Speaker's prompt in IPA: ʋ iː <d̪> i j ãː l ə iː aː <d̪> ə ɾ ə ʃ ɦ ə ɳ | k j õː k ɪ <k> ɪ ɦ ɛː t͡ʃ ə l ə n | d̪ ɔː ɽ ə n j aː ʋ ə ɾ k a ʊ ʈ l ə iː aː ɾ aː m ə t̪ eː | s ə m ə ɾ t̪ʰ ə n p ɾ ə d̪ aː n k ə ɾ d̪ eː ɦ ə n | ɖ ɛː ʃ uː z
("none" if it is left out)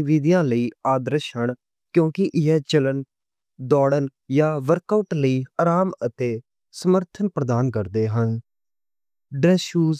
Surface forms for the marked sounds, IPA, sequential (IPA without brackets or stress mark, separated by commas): d̪, d̪, ʔ